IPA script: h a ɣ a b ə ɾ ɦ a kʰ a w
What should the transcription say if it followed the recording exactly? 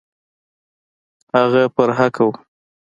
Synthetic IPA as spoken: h a ɣ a p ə ɾ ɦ a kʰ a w